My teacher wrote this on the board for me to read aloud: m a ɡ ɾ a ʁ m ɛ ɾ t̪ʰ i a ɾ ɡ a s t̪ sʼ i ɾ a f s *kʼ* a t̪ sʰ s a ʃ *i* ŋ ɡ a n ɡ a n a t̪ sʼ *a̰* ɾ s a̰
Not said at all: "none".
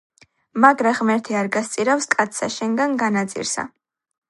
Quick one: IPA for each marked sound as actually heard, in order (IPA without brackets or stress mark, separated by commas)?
kʼ, ɛ, ḭ